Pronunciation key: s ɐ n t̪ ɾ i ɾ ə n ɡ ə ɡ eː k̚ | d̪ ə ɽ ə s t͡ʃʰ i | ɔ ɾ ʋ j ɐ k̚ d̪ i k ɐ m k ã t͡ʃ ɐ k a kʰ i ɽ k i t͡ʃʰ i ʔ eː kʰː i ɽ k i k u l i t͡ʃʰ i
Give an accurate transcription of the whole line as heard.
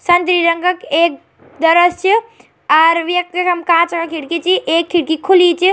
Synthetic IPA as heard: s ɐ n t̪ ɾ i ɾ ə ŋ ɡ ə k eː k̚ | d̪ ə ɾ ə s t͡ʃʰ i | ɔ ɾ ʋ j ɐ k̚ t̪ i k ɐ m k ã t͡ʃ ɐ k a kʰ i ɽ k i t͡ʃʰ i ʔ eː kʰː i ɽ k i kʰ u l i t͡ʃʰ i